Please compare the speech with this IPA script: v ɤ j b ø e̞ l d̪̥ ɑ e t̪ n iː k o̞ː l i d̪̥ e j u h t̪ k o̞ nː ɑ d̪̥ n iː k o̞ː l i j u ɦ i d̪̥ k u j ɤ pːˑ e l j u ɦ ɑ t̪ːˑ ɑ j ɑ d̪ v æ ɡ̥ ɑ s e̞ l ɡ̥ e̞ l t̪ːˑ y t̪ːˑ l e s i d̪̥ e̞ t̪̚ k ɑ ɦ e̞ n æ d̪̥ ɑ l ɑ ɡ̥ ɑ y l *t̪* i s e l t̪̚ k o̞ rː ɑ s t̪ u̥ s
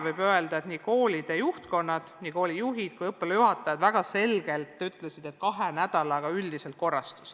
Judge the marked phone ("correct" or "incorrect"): incorrect